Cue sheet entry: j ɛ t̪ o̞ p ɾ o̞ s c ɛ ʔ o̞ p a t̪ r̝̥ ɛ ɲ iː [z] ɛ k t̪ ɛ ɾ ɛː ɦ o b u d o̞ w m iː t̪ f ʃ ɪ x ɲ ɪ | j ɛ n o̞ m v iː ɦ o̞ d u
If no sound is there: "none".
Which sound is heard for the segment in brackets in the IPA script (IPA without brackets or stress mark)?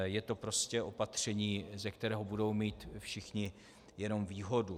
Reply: z